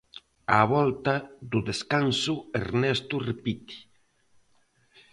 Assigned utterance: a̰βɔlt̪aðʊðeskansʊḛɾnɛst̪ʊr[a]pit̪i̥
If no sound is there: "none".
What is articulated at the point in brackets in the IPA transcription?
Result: e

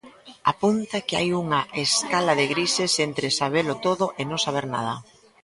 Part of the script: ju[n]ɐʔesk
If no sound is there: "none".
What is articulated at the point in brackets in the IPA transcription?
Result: ŋ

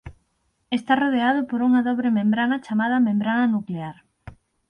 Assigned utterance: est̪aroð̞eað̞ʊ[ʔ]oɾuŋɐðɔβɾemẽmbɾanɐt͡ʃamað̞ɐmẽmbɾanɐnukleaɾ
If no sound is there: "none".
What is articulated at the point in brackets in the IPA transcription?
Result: p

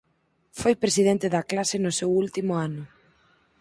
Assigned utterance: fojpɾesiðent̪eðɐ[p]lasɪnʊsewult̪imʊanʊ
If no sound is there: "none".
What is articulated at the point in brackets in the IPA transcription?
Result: k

